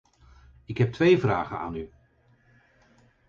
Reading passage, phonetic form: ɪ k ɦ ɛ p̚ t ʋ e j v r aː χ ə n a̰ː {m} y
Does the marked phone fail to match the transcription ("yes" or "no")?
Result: yes